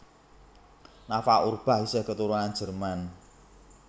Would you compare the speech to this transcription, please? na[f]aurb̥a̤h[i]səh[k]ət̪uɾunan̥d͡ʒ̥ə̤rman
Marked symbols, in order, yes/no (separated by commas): yes, yes, yes